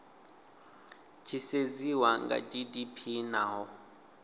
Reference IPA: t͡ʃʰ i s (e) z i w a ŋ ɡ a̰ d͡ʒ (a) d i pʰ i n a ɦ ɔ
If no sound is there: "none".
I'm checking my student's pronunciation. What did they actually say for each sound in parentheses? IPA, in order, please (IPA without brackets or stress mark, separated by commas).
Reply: e, i